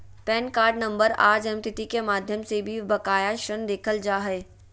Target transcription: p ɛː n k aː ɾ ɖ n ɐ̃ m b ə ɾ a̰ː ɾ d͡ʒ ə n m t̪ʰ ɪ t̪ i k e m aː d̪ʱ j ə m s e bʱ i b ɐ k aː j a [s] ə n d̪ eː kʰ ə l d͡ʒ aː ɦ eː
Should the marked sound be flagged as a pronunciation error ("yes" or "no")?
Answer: yes